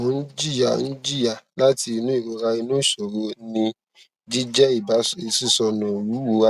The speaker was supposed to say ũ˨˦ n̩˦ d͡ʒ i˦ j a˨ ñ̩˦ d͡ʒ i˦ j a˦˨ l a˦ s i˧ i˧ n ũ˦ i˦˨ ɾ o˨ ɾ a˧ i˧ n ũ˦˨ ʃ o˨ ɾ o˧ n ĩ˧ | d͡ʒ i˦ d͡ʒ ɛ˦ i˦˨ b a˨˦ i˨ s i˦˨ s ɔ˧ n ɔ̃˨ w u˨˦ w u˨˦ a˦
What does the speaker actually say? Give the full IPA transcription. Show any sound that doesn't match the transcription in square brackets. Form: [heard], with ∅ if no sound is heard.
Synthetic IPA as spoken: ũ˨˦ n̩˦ d͡ʒ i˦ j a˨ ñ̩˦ d͡ʒ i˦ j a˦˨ l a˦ [t] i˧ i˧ n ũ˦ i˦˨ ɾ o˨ ɾ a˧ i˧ n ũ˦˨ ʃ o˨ ɾ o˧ n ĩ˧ | d͡ʒ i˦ d͡ʒ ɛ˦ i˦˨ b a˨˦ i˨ s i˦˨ s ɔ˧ n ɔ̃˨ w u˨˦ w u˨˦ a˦